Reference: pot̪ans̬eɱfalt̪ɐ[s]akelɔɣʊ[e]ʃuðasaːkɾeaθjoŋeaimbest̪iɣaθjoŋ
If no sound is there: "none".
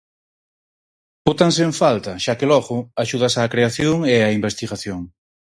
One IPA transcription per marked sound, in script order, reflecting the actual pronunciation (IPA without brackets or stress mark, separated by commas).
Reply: ʃ, a